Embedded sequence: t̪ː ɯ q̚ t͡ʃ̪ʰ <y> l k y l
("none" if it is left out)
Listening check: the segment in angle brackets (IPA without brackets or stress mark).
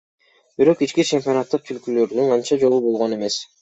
y